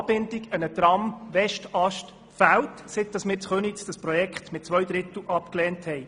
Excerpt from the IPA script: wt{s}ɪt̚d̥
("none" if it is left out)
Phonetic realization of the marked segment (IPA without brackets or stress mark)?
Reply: s